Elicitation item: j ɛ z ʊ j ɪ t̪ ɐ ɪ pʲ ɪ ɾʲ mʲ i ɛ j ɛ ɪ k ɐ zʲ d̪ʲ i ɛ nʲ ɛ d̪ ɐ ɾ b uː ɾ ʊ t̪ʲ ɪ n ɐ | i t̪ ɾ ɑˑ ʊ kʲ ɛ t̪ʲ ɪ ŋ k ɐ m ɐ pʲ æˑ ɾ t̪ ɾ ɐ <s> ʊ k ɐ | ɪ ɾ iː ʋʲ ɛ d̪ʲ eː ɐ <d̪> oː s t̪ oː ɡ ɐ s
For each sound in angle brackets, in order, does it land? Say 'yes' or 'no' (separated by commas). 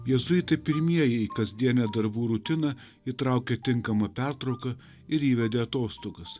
no, no